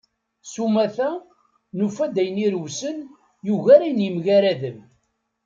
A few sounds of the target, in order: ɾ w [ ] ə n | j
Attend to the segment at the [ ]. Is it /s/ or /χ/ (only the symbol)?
s